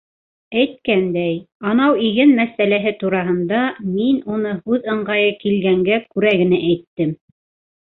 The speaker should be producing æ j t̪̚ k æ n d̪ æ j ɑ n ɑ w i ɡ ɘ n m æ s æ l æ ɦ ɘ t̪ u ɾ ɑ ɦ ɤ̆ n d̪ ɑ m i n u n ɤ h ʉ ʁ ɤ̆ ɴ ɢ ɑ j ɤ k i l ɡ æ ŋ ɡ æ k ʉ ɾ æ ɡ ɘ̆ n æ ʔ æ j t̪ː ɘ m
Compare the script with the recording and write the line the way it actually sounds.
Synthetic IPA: æ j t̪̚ k æ n d̪ æ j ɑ n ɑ w i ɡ ɘ n m æ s æ l æ ɦ ɘ t̪ u ɾ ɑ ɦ ɤ̆ n d̪ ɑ m i n u n ɤ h ʉ ð ɤ̆ ɴ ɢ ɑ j ɤ k i l ɡ æ ŋ ɡ æ k ʉ ɾ æ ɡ ɘ̆ n æ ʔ æ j t̪ː ɘ m